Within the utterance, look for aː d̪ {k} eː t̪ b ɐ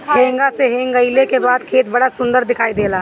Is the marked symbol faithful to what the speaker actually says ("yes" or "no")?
no